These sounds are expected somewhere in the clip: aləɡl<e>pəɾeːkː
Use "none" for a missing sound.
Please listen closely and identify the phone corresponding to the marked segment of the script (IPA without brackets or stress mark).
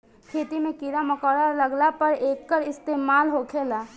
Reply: a